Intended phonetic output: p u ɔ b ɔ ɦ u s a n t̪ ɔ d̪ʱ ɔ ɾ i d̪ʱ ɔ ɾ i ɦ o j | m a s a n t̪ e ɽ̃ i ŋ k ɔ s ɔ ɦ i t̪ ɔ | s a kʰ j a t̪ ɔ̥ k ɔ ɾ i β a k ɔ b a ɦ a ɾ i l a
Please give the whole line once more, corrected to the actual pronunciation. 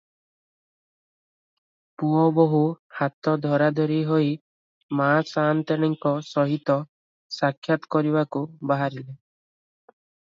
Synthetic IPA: p u ɔ b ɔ ɦ u h a t̪ ɔ d̪ʱ ɔ ɾ a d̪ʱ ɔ ɾ i ɦ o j | m a s a n t̪ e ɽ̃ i ŋ k ɔ s ɔ ɦ i t̪ ɔ | s a kʰ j a t̪ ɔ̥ k ɔ ɾ i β a k u b a ɦ a ɾ i l e